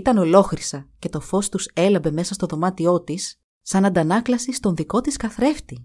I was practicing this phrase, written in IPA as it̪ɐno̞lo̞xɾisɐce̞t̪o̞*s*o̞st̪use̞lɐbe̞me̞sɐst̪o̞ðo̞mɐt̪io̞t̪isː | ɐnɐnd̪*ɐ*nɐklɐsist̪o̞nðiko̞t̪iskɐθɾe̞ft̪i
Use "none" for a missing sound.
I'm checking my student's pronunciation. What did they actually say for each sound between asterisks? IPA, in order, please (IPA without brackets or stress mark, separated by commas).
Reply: f, ɐ